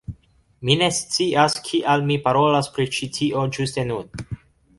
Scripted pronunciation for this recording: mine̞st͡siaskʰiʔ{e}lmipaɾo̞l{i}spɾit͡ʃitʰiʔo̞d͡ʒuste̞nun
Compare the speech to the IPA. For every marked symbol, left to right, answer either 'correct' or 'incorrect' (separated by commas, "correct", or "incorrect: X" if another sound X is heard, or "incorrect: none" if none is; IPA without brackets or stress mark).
incorrect: a, incorrect: a